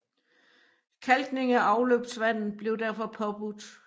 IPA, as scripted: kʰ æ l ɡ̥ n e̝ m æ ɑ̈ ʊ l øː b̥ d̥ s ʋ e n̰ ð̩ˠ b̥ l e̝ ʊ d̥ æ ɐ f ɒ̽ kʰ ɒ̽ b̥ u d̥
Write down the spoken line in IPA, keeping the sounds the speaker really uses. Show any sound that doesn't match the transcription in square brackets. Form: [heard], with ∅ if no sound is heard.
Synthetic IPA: kʰ æ l ɡ̥ n e̝ [ŋ] æ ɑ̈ ʊ l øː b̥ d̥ s ʋ [æ] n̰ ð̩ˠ b̥ l e̝ ʊ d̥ æ ɐ f ɒ̽ [pʰ] ɒ̽ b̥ u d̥